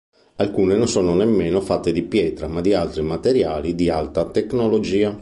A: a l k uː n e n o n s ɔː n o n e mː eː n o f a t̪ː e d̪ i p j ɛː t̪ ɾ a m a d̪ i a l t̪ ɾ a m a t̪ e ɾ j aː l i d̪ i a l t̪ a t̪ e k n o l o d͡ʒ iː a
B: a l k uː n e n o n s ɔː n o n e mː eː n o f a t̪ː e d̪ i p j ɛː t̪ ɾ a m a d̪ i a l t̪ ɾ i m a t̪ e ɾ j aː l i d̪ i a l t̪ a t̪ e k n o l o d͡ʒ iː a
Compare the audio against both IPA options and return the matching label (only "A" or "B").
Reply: B